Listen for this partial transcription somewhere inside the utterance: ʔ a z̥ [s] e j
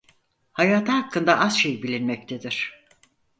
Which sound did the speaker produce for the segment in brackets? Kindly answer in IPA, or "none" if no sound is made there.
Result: ʃ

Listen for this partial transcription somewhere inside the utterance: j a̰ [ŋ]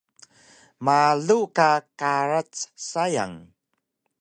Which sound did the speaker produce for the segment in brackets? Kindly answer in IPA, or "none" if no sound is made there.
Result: ŋ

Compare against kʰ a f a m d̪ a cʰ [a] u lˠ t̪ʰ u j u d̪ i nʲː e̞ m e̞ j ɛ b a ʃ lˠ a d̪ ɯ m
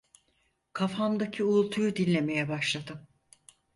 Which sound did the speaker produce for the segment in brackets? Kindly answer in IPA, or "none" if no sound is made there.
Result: i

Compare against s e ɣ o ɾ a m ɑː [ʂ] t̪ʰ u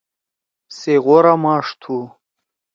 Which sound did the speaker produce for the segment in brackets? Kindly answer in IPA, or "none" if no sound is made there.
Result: ʂ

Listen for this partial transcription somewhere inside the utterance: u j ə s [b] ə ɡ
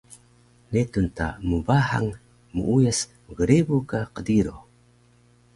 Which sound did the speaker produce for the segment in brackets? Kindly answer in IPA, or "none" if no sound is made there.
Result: m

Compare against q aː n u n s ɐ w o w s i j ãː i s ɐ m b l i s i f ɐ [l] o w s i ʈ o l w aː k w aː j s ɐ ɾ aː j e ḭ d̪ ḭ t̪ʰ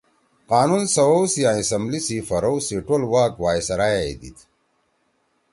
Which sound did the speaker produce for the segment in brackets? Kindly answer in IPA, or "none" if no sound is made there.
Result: ɾ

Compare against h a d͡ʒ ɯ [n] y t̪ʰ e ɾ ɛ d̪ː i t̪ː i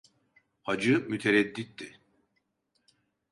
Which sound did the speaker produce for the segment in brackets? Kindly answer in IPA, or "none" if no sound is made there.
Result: m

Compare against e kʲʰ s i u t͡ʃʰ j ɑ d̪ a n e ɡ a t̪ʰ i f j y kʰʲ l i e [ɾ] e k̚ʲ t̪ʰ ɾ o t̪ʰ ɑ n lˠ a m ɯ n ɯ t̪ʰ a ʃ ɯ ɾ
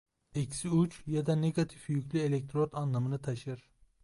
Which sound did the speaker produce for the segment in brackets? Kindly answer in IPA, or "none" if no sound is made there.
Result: l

